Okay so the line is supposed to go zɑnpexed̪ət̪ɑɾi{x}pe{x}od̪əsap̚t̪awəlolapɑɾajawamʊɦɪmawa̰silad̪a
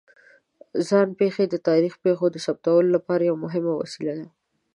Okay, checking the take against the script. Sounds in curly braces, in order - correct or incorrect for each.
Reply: correct, correct

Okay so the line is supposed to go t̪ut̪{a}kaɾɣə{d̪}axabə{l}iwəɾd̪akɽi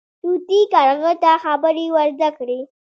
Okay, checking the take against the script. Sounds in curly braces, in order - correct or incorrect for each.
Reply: incorrect, incorrect, incorrect

